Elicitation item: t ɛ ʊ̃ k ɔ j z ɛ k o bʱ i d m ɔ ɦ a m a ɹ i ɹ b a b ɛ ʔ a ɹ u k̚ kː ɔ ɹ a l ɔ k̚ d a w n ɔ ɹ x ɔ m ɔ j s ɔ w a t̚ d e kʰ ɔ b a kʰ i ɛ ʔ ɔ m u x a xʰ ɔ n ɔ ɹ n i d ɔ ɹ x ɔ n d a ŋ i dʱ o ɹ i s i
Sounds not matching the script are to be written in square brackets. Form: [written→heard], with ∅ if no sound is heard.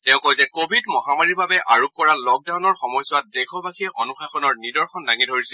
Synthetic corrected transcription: t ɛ ʊ̃ k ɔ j z ɛ k o bʱ i d m ɔ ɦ a m a ɹ i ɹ b a b ɛ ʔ a ɹ u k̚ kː ɔ ɹ a l ɔ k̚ d a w n ɔ ɹ x ɔ m ɔ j s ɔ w a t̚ d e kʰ ɔ b a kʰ i ɛ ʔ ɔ [m→n] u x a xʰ ɔ n ɔ ɹ n i d ɔ ɹ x ɔ n d a ŋ i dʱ o ɹ i s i